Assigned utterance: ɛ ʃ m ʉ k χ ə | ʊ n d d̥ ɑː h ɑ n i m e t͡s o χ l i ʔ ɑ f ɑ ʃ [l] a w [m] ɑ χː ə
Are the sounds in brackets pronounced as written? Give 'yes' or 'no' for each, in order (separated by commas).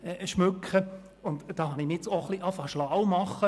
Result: yes, yes